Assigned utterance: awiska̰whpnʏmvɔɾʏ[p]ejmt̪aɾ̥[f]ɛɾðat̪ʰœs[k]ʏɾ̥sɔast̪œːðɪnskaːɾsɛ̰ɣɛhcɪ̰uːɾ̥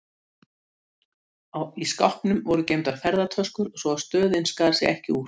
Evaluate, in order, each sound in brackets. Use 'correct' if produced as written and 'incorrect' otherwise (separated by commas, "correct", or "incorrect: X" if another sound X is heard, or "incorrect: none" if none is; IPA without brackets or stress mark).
incorrect: c, correct, correct